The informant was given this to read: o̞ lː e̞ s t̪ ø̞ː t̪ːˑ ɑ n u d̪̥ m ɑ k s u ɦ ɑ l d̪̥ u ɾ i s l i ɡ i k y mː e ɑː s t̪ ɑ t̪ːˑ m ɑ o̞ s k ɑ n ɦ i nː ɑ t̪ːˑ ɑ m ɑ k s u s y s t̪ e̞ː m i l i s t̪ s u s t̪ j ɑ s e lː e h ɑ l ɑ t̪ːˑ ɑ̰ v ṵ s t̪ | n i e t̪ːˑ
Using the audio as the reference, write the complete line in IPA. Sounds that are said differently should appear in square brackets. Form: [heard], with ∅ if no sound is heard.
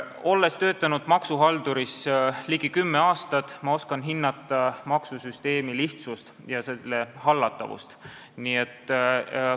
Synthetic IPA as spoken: o̞ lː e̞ s t̪ ø̞ː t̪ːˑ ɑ n u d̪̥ m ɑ k s u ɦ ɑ l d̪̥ u ɾ i s l i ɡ i k y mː e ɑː s t̪ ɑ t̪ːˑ m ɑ o̞ s k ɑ n ɦ i nː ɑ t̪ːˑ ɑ m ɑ k s u s y s t̪ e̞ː m i l i [h] t̪ s u s t̪ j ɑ s e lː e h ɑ [lː] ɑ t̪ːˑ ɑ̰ v ṵ s t̪ | n i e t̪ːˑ

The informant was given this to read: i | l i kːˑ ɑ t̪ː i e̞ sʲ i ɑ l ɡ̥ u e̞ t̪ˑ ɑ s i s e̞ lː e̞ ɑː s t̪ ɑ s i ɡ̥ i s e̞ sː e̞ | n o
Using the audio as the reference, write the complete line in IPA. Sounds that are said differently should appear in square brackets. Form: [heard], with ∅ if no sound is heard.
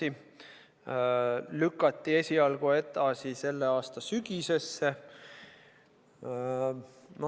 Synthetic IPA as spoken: i | l [y] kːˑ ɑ t̪ː i e̞ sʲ i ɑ l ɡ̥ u e̞ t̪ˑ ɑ s i s e̞ lː e̞ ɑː s t̪ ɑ s [y] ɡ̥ i s e̞ sː e̞ | n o

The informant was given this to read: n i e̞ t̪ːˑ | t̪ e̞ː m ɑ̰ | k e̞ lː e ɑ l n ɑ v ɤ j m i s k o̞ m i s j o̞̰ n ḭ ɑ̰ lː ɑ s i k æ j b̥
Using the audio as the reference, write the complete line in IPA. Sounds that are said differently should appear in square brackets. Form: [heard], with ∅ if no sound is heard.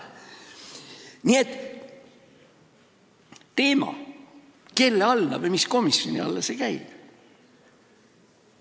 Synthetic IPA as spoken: n i e̞ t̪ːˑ | t̪ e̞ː m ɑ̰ | k e̞ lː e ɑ l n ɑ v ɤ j m i s k o̞ m i s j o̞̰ n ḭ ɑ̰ lː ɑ s [e] k æ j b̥

